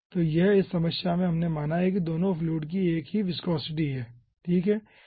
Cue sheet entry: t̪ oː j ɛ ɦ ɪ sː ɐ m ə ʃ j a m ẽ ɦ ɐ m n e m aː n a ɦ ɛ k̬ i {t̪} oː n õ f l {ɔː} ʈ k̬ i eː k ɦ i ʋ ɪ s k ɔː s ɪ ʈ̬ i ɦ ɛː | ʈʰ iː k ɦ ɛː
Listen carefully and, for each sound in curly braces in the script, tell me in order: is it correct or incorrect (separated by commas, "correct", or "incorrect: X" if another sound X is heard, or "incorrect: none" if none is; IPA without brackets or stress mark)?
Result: incorrect: d̪, incorrect: uː